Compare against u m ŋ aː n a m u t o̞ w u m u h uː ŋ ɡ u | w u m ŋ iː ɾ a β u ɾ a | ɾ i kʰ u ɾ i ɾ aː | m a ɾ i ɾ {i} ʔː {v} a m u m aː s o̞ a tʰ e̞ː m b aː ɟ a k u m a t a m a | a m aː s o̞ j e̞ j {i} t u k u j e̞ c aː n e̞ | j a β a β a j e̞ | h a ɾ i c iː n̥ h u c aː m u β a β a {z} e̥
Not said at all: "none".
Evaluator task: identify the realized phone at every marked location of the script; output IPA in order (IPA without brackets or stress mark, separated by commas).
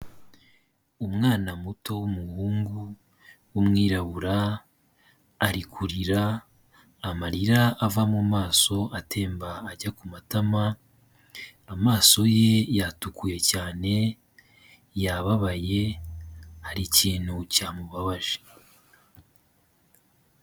a, v, a, ʒ